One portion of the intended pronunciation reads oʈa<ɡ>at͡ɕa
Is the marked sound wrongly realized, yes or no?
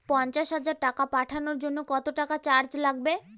yes